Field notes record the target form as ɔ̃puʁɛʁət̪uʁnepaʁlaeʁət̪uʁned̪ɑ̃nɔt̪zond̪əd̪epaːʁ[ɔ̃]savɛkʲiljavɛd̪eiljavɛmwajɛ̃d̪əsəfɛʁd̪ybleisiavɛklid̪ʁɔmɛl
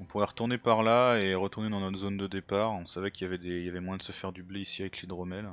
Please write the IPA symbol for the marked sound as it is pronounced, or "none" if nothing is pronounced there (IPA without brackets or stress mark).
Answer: ɔ̃